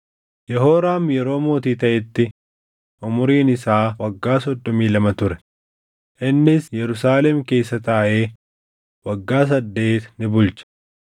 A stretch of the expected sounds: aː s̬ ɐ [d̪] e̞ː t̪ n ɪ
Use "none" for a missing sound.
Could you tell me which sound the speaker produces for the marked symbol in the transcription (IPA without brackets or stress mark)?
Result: d̪ː